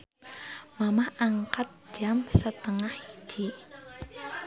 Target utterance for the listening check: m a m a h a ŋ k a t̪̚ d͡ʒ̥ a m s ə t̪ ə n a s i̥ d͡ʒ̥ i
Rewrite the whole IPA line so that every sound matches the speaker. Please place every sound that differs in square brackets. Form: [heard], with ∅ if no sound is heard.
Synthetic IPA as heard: m a m a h a ŋ k a t̪̚ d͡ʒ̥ a m s ə t̪ ə [ŋ] a [h] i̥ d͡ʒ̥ i